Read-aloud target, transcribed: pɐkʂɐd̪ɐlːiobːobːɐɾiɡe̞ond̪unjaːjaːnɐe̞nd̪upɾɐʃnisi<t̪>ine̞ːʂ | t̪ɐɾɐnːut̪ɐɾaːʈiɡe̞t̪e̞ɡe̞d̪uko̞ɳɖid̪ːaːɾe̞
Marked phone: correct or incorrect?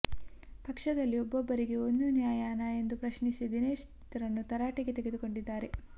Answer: incorrect: d̪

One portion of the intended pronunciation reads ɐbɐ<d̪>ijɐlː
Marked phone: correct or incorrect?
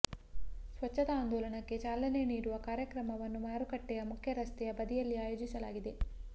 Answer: correct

